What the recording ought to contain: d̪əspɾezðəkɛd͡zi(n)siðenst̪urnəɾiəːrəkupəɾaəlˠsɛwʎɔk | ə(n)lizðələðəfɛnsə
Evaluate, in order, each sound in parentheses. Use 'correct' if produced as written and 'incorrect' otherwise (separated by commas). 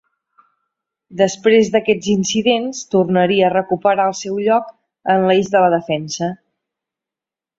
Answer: correct, correct